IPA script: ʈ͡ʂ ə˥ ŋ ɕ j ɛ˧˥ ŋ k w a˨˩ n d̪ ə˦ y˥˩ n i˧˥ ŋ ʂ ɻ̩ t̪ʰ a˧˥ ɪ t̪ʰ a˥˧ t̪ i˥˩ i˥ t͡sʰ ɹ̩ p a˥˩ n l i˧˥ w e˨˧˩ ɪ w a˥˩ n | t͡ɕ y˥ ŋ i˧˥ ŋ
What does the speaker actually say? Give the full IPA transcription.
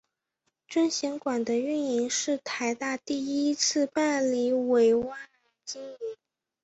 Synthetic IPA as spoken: ʈ͡ʂ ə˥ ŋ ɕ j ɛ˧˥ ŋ k w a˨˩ n d̪ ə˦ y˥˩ n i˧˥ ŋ ʂ ɻ̩ t̪ʰ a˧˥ ɪ t̪ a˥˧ t̪ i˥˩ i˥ t͡sʰ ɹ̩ p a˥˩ n l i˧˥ w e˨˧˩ ɪ w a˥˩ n | t͡ɕ i˥ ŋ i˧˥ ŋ

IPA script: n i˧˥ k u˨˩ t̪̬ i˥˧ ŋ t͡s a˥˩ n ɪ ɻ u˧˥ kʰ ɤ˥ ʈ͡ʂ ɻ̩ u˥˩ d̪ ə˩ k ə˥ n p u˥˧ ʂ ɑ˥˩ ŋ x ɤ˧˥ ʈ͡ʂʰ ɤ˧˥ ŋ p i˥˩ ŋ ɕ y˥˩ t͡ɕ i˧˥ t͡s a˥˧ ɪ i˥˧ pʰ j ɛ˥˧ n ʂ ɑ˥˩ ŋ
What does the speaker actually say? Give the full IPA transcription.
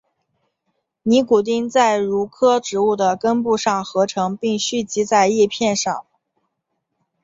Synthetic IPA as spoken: n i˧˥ k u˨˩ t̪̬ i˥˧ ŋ t͡s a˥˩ ɪ ɻ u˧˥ kʰ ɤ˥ ʈ͡ʂ ɻ̩ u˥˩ d̪ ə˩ k ə˥ n p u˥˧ ʂ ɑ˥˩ ŋ x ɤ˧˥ ʈ͡ʂʰ ɤ˧˥ ŋ p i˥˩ ŋ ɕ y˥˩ t͡ɕ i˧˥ t͡s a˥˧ ɪ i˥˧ pʰ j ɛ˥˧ n ʂ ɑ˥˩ ŋ

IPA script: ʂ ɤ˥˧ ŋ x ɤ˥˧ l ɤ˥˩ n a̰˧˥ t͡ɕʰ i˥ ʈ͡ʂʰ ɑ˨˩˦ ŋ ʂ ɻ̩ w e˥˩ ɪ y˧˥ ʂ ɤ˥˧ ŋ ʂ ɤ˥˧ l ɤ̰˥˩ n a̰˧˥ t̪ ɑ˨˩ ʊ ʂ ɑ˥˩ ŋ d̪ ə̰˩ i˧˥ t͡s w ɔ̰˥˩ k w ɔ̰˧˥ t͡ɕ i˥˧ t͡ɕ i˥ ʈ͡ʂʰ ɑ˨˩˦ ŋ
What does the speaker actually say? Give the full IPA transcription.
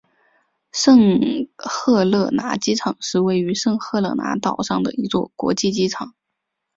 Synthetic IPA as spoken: ʂ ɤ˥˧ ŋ x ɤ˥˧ l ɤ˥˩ n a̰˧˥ t͡ɕ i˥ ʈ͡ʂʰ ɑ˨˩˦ ŋ ʂ ɻ̩ w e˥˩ ɪ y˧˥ ʂ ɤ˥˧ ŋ x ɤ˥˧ l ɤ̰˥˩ n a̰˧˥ t̪ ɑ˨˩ ʊ ʂ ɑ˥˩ ŋ d̪ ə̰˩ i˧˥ t͡s w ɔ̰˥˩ k w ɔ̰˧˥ t͡ɕ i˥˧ t͡ɕ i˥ ʈ͡ʂʰ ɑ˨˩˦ ŋ

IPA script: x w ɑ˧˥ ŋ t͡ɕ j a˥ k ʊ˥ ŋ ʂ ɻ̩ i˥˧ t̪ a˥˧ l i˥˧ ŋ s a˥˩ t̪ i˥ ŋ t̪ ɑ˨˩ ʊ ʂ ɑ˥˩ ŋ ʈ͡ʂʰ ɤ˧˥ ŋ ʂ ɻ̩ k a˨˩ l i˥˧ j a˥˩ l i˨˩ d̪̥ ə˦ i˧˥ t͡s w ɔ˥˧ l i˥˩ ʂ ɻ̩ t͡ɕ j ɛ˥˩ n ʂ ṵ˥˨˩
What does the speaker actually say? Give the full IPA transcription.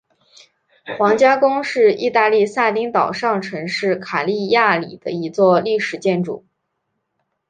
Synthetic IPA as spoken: x w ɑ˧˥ ŋ t͡ɕ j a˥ k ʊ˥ ŋ ʂ ɻ̩ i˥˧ t̪ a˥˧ l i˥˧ s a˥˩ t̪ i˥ ŋ t̪ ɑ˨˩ ʊ ʂ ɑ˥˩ ŋ ʈ͡ʂʰ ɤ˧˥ ŋ ʂ ɻ̩ kʰ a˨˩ l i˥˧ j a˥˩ l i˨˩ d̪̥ ə˦ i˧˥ t͡s w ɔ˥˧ l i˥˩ ʂ ɻ̩ t͡ɕ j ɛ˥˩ n ʈ͡ʂ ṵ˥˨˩

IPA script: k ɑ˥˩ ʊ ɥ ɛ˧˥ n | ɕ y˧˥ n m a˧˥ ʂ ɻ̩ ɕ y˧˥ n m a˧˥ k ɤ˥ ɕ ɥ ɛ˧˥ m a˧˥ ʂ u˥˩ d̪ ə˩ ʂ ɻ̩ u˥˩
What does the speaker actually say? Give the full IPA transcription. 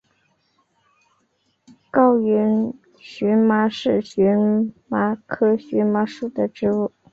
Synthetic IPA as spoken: k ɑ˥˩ ʊ ɥ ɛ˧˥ n | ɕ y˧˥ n m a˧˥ ʂ ɻ̩ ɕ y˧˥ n m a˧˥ kʰ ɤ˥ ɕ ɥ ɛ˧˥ m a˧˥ ʂ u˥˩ d̪ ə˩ ʈ͡ʂ ɻ̩ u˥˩

